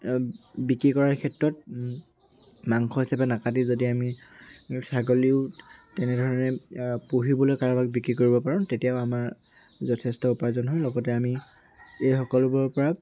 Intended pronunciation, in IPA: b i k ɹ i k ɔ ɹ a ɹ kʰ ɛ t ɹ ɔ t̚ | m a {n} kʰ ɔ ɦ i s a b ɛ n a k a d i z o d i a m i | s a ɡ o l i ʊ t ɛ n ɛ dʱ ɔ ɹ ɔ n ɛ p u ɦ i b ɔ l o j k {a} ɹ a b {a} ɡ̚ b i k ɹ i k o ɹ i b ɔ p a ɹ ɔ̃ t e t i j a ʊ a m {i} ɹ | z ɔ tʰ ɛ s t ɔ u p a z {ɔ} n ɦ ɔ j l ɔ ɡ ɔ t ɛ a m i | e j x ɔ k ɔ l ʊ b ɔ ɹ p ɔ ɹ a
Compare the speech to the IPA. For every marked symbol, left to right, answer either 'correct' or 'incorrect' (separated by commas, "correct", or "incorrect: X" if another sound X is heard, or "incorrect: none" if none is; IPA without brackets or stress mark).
incorrect: ŋ, correct, correct, incorrect: a, correct